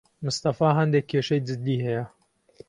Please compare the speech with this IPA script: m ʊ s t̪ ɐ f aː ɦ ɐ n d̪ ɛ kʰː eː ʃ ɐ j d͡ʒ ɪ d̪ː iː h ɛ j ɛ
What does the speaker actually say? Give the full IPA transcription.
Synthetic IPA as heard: m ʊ s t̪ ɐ f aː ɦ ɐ n d̪ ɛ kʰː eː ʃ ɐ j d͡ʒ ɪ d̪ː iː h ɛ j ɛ